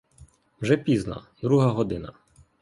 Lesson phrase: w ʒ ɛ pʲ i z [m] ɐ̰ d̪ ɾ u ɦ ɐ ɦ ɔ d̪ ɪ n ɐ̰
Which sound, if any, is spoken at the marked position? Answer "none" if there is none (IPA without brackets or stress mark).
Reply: n